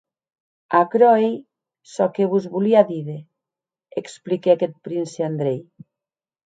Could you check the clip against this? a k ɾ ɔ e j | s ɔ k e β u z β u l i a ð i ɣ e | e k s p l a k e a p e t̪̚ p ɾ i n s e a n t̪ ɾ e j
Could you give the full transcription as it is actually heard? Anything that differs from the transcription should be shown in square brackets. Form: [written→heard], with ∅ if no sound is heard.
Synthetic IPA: a k ɾ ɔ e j | s ɔ k e β u z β u l i a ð i [ɣ→ð] e | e k s p l [a→i] k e a [p→k] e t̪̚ p ɾ i n s e a n [t̪→d̪] ɾ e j